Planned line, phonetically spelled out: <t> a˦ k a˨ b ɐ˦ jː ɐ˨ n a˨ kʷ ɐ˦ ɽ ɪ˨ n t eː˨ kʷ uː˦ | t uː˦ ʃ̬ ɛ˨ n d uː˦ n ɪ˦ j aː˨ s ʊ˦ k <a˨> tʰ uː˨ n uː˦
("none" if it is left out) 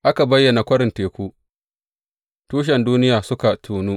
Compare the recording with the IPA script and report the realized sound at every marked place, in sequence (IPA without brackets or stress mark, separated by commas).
ʔ, a˨